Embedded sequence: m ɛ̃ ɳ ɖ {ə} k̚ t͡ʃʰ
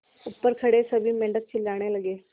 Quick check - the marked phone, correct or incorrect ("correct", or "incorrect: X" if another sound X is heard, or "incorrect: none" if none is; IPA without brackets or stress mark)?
correct